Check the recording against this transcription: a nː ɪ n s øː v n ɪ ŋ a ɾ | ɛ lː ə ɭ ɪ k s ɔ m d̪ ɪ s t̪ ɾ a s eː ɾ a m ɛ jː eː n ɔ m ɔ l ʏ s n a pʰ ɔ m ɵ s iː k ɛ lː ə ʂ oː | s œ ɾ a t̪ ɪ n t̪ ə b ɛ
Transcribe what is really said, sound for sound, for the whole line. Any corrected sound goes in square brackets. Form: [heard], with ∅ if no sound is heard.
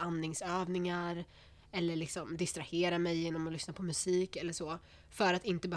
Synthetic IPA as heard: a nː ɪ [ŋ] s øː v n ɪ ŋ a ɾ | ɛ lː ə ɭ ɪ k s ɔ m d̪ ɪ s t̪ ɾ a [h] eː ɾ a m ɛ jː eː n ɔ m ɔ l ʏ s n a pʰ ɔ m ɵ s iː k ɛ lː ə ʂ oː | [f] œ ɾ a t̪ ɪ n t̪ ə b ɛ